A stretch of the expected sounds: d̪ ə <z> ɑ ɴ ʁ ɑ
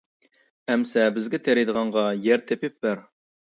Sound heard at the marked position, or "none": ʁ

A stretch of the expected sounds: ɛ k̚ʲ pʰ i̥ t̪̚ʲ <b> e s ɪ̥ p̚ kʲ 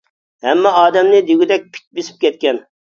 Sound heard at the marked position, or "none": b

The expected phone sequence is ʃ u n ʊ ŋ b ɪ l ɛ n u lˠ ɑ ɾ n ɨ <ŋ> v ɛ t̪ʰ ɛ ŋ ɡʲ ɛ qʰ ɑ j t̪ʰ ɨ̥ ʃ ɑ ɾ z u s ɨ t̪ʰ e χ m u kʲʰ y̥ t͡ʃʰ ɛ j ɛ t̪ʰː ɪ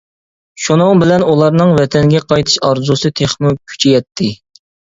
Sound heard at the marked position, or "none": ŋ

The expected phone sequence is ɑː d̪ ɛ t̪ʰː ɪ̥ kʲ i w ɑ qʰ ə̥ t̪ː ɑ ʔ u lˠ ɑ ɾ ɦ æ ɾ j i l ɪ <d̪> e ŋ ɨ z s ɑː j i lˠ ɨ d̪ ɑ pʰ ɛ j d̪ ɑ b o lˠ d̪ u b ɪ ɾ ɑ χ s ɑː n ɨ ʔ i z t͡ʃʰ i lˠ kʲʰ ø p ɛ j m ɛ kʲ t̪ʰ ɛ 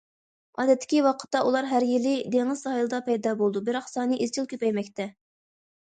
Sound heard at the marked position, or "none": d̪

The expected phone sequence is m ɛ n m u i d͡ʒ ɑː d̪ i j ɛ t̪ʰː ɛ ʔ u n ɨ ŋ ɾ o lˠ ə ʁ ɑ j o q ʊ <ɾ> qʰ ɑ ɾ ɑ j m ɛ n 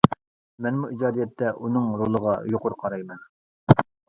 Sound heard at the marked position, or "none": ɾ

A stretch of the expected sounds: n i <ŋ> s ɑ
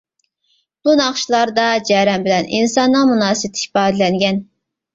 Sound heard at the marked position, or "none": n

